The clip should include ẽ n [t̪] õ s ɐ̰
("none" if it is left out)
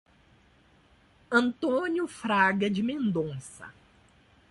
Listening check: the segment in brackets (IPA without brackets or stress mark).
d̪